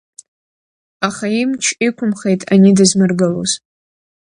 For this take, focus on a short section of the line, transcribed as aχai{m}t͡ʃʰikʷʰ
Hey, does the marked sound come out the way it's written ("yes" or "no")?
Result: yes